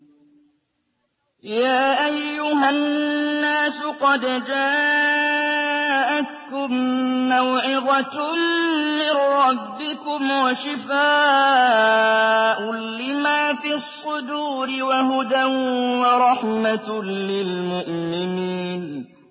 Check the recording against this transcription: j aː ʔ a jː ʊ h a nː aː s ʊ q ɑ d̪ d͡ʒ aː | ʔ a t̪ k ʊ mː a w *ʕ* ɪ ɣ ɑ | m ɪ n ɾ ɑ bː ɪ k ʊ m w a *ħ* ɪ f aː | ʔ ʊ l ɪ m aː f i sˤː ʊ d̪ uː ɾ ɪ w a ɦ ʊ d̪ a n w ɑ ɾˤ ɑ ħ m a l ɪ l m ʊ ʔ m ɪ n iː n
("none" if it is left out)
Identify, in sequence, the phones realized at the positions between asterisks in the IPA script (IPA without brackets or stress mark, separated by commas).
ʕ, ʃ